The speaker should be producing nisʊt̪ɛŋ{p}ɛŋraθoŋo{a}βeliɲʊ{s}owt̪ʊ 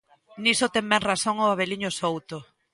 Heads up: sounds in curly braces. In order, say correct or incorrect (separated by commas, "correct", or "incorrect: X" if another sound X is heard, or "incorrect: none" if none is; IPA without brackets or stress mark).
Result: incorrect: b, correct, correct